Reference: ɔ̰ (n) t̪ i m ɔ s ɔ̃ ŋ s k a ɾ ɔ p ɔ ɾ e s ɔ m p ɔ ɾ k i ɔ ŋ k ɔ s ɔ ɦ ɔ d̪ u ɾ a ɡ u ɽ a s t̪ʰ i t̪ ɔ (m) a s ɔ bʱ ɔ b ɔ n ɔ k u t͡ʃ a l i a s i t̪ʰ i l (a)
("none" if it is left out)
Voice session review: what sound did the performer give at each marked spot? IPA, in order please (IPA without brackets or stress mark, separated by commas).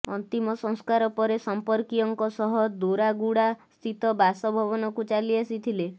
n, b, e